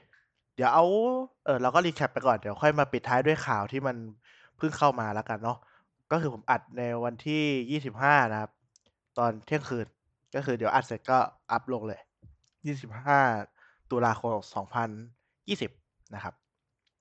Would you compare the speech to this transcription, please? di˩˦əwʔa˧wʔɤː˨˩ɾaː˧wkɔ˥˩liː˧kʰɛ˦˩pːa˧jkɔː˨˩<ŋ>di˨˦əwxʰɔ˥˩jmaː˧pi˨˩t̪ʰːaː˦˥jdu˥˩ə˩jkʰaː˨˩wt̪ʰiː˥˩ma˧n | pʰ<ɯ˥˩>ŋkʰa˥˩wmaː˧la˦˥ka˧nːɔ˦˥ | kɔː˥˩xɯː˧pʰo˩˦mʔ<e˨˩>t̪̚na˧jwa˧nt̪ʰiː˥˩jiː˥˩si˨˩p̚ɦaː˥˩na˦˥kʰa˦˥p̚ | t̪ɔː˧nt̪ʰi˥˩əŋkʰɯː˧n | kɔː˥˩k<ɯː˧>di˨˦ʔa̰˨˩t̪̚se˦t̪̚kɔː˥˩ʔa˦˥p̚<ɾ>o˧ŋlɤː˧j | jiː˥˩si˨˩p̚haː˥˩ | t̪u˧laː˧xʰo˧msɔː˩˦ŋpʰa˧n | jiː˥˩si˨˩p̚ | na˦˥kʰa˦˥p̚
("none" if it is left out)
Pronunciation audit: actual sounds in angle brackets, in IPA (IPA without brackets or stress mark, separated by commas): n, ɯ˥˩, a˨˩, ɯː˧, l